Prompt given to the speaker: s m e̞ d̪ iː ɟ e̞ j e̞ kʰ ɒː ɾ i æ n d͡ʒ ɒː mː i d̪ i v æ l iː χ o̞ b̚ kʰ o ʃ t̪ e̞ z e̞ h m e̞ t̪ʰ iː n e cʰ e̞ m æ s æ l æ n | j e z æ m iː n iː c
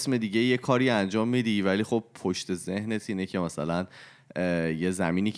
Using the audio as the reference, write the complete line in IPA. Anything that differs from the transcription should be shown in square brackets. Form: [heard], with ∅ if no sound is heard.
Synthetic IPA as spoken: s m e̞ d̪ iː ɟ e̞ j e̞ kʰ ɒː ɾ i æ n d͡ʒ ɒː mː i d̪ i v æ l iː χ o̞ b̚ [pʰ] o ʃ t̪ e̞ z e̞ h [n] e̞ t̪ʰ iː n e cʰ e̞ m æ s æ l æ n | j e z æ m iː n iː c